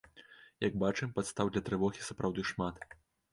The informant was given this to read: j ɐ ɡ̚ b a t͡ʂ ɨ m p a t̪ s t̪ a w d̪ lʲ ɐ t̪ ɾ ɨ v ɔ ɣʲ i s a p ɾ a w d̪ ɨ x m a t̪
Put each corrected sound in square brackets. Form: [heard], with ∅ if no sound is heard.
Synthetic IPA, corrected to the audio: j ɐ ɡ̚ b a t͡ʂ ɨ m p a t̪ s t̪ a w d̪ lʲ ɐ t̪ ɾ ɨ v ɔ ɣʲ i s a p ɾ a w d̪ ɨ [ʂ] m a t̪